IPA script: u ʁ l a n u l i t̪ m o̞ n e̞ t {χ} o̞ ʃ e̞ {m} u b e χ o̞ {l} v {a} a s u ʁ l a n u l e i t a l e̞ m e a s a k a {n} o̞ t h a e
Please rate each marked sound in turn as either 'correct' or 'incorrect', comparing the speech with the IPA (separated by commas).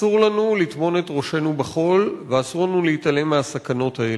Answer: incorrect, incorrect, correct, incorrect, correct